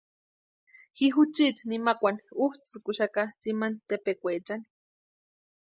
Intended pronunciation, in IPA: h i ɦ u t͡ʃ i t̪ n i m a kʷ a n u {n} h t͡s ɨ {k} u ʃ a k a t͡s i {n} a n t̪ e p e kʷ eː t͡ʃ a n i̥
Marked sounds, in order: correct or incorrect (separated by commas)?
incorrect, correct, incorrect